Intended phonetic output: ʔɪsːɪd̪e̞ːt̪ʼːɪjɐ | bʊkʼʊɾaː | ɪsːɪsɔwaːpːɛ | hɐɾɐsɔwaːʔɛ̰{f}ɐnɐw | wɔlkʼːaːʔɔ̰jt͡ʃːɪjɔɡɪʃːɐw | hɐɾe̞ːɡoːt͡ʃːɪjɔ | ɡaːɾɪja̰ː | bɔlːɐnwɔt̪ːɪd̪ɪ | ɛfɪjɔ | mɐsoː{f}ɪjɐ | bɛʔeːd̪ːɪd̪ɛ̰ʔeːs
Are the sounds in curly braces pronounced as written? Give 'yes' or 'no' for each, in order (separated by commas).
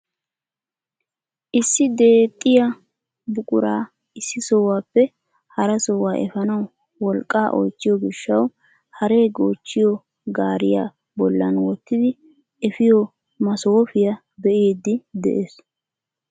yes, yes